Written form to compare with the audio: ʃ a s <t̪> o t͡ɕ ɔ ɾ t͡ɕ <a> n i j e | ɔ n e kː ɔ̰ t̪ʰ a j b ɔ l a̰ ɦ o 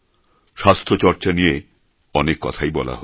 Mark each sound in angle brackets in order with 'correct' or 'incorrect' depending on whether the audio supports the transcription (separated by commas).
incorrect, correct